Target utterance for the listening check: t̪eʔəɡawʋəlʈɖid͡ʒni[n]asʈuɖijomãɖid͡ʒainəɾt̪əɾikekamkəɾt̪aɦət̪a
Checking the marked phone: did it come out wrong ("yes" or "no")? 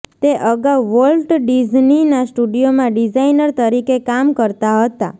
no